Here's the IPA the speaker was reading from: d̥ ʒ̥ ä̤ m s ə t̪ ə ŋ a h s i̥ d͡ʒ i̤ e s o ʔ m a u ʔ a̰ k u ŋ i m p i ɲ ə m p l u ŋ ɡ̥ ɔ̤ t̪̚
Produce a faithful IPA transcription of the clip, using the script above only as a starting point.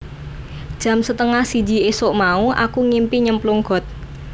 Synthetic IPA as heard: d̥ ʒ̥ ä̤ m s ə t̪ ə ŋ a h s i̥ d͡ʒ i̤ e s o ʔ m a u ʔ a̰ k u ŋ i m p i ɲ ə m p l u ŋ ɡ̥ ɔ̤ t̪̚